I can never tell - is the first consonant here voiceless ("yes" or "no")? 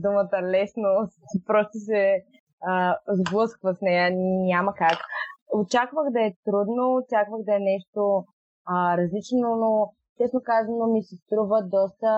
no